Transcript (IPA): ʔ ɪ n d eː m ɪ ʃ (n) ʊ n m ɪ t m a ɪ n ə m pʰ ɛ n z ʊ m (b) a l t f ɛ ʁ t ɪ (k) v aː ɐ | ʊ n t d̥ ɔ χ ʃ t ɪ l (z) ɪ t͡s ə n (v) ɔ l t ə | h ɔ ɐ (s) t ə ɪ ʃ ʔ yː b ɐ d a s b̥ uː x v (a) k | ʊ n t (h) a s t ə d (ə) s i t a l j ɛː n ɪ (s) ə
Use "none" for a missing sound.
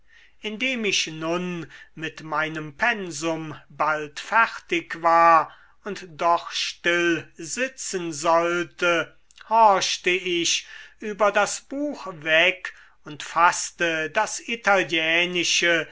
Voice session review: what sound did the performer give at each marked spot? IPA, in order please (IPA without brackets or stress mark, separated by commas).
n, b, k, z, z, ʃ, ɛ, f, a, ʃ